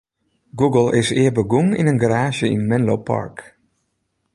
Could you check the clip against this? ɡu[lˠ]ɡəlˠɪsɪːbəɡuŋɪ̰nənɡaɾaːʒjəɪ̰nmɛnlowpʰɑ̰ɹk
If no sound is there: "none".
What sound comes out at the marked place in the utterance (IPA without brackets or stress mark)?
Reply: none